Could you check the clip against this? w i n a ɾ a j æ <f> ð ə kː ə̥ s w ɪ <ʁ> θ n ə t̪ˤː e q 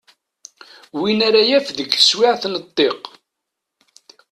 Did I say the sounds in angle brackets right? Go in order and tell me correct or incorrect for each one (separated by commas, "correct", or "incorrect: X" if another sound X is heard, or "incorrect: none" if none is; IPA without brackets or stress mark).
correct, incorrect: ʕ